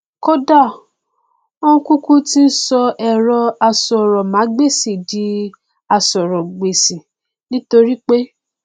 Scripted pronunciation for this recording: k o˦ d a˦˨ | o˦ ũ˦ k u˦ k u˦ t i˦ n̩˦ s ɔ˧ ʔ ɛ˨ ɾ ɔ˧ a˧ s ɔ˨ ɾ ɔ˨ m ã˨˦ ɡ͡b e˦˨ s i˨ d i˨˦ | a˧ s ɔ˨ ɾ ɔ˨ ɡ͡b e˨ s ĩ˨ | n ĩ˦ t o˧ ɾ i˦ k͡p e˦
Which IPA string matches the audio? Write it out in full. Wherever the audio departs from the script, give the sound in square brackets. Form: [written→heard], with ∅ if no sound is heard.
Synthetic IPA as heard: k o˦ d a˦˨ | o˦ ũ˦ k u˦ k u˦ t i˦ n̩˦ s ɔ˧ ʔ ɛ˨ ɾ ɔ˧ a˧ s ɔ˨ ɾ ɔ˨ m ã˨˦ ɡ͡b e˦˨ s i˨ d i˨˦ | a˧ s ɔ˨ ɾ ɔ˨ ɡ͡b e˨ s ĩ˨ | n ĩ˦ t o˧ ɾ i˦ k͡p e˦